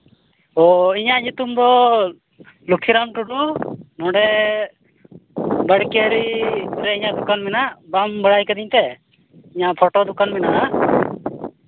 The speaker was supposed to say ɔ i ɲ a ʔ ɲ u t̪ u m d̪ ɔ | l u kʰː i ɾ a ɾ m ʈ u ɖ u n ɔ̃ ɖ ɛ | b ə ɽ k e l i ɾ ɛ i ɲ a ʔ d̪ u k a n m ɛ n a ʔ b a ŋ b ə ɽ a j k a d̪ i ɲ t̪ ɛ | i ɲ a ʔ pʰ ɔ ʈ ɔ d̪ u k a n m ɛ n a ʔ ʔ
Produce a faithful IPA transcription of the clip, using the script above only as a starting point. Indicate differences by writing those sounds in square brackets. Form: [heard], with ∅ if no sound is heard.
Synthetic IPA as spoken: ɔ i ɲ a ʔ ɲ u t̪ u m d̪ ɔ | l u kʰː i ɾ a [∅] m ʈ u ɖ u n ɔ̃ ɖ ɛ | b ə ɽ k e [ɾ] i ɾ ɛ i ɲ a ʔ d̪ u k a n m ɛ n a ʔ b a [m] b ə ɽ a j k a d̪ i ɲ t̪ ɛ | i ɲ a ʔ pʰ ɔ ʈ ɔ d̪ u k a n m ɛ n a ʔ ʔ

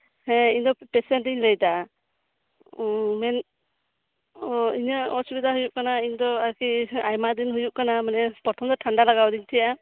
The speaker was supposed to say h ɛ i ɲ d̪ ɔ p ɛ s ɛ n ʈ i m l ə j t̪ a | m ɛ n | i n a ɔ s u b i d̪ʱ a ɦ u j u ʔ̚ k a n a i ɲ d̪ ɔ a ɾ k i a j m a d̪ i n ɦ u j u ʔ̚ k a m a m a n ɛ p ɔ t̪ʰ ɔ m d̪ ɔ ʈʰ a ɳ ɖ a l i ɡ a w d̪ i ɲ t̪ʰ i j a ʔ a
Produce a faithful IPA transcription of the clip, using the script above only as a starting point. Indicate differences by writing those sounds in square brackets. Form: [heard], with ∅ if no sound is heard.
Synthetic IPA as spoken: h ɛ i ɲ d̪ ɔ p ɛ s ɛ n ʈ i [ɲ] l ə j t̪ a | m ɛ n | i [ɲ] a ɔ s u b i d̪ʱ a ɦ u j u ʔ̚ k a n a i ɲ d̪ ɔ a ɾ k i a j m a d̪ i n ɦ u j u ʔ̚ k a [n] a m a n ɛ p ɔ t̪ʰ ɔ m d̪ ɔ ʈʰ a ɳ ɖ a l [a] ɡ a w d̪ i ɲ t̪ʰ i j a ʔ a

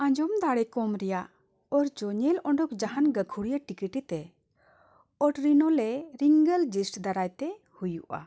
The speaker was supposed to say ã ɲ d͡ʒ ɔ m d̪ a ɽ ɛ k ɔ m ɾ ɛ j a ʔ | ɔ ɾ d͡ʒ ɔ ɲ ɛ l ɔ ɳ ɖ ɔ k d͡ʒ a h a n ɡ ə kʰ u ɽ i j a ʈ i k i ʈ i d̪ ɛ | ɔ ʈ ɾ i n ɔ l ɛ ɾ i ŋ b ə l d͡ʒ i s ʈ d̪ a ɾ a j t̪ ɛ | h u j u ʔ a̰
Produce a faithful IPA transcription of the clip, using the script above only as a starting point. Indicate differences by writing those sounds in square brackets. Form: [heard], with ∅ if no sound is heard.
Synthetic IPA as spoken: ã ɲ d͡ʒ ɔ m d̪ a ɽ ɛ k ɔ m ɾ ɛ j a ʔ | ɔ ɾ d͡ʒ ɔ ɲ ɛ l ɔ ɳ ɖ ɔ k d͡ʒ a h a n ɡ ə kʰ u ɽ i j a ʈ i k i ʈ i [t̪] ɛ | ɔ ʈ ɾ i n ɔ l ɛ ɾ i ŋ [ɡ] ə l d͡ʒ i s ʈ d̪ a ɾ a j t̪ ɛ | h u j u ʔ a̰

